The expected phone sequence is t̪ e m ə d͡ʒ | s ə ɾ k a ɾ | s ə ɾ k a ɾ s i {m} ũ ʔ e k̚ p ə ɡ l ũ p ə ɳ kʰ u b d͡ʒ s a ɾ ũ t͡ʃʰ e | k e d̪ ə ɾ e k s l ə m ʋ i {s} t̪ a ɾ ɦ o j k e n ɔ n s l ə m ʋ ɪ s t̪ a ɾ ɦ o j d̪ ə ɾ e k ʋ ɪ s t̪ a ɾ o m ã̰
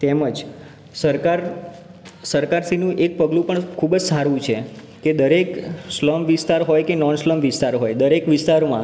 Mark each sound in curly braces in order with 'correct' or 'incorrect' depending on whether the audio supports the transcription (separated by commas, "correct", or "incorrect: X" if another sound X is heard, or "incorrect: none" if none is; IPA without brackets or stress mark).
incorrect: n, correct